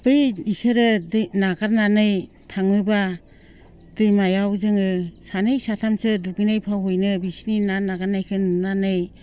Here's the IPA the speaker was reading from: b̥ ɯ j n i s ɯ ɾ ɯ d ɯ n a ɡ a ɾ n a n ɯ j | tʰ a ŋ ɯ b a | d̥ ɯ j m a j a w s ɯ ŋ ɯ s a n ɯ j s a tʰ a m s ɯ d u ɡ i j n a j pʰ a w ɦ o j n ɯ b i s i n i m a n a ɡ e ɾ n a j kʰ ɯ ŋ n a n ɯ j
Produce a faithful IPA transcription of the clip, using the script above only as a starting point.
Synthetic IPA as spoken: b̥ ɯ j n i s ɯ ɾ ɯ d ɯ n a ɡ a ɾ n a n ɯ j | tʰ a ŋ ɯ b a | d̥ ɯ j m a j a w z ɯ ŋ ɯ s a n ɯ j s a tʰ a m s ɯ d u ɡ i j n a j pʰ a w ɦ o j n ɯ b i s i n i n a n a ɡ a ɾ n a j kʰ ɯ n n a n ɯ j